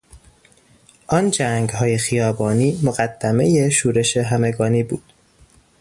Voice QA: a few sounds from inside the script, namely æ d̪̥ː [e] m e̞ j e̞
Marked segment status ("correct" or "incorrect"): incorrect